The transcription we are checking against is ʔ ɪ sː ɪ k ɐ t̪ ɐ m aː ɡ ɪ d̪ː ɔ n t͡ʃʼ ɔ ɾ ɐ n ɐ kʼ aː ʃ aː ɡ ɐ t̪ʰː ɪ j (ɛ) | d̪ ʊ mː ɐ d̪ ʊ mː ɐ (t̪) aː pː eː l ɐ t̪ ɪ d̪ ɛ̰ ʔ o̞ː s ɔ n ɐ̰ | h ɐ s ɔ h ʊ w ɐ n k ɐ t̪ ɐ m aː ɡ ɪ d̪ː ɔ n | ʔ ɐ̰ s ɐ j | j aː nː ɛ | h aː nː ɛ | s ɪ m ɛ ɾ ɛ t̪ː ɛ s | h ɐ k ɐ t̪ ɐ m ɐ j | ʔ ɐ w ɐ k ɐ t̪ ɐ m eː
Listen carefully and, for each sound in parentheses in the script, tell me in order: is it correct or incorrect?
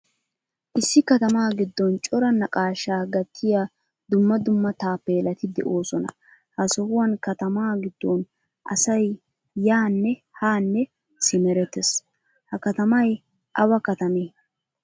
incorrect: a, correct

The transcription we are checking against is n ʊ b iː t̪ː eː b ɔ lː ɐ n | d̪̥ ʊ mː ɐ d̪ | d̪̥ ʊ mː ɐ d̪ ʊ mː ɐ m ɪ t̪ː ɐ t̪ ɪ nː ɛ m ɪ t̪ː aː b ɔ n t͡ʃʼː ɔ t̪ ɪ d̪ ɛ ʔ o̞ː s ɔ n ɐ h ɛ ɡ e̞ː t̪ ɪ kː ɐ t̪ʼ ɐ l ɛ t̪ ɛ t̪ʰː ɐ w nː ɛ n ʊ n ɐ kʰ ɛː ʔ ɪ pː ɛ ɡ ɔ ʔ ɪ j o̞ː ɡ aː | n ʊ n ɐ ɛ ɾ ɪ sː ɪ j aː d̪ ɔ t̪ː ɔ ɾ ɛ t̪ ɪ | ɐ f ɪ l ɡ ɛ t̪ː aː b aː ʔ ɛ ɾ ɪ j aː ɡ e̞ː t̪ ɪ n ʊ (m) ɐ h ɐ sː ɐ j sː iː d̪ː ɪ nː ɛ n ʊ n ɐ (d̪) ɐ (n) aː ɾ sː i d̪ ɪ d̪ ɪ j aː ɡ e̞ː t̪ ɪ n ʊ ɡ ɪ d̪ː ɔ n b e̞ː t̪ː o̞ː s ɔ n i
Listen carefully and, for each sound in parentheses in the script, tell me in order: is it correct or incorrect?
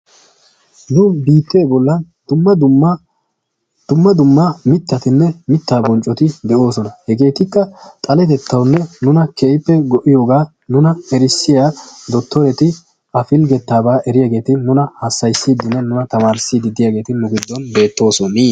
incorrect: n, incorrect: t̪, incorrect: m

